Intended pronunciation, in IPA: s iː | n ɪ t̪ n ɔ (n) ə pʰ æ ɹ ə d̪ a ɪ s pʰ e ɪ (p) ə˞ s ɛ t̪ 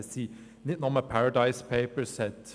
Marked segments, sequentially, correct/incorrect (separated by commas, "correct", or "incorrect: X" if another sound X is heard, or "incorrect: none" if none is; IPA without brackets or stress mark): incorrect: m, correct